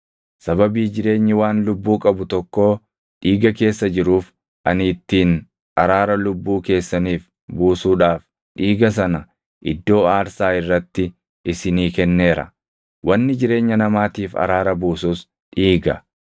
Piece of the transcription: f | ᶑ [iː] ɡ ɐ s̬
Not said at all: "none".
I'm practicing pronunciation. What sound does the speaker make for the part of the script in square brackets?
iː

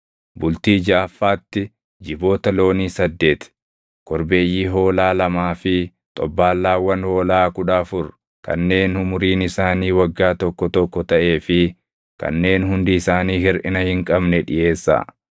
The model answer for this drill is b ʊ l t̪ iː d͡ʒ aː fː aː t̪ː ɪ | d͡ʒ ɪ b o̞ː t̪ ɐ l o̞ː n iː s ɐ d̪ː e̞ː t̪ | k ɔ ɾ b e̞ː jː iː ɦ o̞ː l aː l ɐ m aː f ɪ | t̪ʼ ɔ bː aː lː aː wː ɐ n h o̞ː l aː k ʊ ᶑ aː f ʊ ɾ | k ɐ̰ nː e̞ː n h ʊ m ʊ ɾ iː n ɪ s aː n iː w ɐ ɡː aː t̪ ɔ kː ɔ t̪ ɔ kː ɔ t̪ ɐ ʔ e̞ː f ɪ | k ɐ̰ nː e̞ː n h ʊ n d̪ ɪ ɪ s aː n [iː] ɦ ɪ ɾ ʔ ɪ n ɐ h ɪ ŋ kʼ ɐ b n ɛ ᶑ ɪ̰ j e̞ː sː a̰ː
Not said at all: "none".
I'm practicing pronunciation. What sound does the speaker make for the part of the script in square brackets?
iː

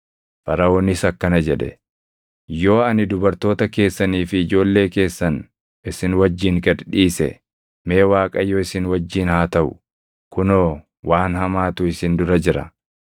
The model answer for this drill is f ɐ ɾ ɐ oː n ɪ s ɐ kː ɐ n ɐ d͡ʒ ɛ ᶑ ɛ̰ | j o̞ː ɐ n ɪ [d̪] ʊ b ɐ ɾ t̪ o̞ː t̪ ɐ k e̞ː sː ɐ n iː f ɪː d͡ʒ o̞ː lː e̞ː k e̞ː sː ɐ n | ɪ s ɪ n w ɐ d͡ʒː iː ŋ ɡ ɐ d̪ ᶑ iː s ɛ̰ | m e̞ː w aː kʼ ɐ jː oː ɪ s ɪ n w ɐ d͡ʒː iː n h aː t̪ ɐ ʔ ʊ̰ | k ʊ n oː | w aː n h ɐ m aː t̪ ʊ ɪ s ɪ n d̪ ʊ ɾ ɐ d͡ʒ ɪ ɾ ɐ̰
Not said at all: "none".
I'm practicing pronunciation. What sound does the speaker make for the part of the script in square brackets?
d̪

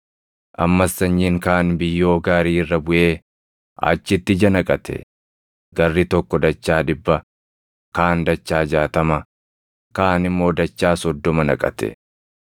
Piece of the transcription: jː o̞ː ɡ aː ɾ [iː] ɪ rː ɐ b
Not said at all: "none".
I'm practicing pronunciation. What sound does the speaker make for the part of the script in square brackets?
iː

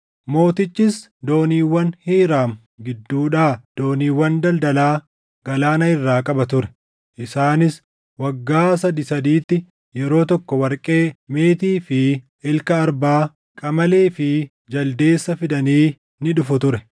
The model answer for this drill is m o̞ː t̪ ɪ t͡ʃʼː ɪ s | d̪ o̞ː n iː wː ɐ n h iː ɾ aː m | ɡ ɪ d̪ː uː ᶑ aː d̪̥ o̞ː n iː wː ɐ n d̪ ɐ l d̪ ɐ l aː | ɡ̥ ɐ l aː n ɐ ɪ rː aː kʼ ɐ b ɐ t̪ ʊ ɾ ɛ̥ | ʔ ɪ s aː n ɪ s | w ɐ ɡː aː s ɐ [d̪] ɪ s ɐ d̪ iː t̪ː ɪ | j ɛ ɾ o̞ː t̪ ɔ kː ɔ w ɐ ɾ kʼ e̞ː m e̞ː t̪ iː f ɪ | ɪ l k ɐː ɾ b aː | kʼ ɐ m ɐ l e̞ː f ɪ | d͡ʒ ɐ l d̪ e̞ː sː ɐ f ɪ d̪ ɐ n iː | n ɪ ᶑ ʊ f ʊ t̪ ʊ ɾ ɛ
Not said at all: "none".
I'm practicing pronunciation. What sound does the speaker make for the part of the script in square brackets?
d̪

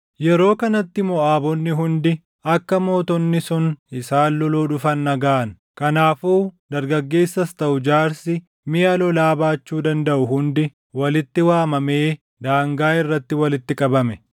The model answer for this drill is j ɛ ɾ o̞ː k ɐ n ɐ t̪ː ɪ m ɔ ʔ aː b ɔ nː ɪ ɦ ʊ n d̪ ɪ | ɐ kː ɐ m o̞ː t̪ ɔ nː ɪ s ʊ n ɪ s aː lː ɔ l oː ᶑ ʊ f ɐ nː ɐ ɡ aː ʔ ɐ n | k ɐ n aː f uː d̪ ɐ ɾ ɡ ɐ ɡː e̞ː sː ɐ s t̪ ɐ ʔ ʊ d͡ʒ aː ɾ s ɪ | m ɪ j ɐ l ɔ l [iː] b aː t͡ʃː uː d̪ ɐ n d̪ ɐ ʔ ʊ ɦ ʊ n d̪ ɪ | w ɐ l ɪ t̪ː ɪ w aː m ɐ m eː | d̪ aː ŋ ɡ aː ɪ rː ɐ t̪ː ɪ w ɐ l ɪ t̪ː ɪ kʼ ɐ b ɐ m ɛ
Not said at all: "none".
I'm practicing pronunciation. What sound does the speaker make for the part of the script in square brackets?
aː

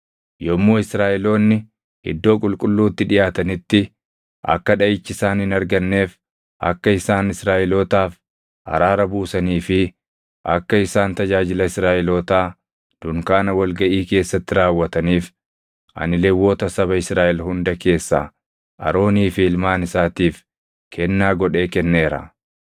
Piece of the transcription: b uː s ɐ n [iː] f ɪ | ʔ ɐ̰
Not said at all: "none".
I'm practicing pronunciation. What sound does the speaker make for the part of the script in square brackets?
iː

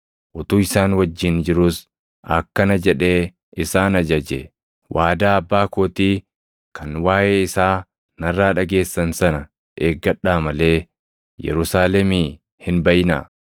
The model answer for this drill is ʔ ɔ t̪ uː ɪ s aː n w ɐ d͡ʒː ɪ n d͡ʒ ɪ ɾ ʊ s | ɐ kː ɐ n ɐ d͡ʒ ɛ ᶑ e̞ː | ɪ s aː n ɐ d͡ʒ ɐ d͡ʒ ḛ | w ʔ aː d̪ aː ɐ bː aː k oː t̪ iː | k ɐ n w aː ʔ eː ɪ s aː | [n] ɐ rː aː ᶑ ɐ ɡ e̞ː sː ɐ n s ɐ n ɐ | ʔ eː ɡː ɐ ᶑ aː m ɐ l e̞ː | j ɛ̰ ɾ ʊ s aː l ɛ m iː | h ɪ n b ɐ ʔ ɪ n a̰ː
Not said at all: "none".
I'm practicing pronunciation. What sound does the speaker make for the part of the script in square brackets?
n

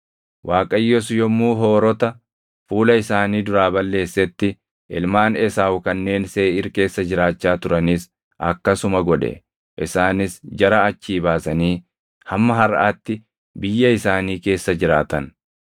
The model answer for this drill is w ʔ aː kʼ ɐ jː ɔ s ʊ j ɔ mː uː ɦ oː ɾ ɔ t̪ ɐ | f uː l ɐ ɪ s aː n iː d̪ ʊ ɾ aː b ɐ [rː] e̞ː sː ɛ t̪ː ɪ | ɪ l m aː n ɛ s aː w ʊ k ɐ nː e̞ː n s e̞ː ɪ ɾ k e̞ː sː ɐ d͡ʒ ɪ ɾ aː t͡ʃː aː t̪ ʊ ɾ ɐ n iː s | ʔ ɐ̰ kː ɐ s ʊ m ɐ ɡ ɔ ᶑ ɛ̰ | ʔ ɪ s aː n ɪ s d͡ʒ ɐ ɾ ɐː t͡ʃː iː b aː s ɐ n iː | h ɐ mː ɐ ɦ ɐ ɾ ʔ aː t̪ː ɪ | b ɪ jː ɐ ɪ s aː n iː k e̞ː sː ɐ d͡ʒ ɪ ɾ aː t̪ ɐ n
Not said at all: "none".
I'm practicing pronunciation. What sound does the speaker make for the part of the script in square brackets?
lː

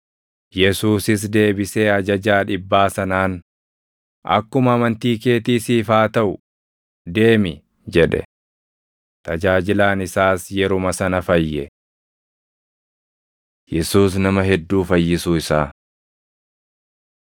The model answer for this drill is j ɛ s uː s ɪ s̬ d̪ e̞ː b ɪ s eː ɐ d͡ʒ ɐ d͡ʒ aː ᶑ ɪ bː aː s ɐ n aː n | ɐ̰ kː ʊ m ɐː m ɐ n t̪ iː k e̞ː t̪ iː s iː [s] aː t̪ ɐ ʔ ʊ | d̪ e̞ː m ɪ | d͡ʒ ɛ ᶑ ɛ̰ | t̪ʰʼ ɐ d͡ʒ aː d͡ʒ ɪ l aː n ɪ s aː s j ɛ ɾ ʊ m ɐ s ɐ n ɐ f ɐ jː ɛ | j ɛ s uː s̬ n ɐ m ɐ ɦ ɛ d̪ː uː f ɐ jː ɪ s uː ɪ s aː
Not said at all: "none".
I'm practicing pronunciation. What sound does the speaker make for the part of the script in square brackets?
f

